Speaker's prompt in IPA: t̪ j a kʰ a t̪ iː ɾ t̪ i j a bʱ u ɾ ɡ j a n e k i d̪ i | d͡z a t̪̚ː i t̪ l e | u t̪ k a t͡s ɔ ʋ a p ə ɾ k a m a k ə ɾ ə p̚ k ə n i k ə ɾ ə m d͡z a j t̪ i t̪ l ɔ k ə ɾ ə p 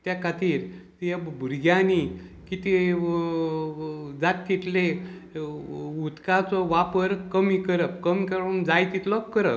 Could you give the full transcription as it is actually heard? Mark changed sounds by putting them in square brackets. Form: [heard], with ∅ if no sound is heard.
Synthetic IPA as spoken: t̪ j a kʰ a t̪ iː ɾ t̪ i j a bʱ u ɾ ɡ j a n [i] k i [t̪] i | d͡z a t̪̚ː i t̪ l e | u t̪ k a t͡s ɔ ʋ a p ə ɾ k [ə] m [i] k ə ɾ ə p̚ k ə [m] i k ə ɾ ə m d͡z a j t̪ i t̪ l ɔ k ə ɾ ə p